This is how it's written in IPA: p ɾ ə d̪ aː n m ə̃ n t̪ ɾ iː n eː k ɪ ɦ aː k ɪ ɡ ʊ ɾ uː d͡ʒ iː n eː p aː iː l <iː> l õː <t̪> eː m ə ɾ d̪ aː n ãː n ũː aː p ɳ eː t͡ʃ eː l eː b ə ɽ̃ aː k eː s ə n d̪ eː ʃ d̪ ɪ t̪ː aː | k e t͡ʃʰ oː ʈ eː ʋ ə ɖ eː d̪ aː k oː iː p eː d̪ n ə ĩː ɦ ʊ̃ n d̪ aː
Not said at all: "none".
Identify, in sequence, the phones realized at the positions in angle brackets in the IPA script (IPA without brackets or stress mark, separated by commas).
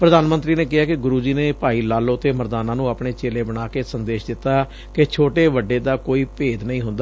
aː, t̪